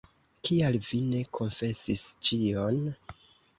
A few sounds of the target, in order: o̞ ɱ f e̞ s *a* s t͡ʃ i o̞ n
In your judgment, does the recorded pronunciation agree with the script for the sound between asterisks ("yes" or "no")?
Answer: no